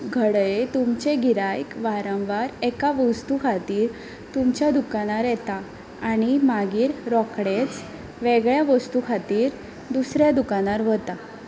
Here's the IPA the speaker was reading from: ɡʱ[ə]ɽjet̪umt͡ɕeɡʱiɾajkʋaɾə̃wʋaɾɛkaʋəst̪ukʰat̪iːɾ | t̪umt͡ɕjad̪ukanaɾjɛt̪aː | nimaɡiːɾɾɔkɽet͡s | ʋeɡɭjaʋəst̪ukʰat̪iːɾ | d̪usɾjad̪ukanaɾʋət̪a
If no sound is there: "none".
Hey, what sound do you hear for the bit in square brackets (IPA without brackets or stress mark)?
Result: ə